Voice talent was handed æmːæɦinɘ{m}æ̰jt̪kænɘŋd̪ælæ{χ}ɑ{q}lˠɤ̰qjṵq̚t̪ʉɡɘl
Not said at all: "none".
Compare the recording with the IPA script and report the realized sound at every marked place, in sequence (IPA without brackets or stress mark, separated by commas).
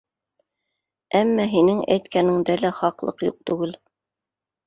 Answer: ŋ, χ, q